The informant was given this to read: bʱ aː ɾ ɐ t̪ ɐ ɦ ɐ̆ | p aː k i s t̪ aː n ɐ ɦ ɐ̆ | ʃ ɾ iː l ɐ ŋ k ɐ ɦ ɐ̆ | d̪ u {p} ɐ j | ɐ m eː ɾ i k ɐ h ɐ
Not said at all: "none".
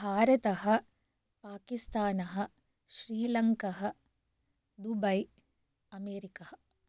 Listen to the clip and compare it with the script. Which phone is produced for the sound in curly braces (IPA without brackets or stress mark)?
b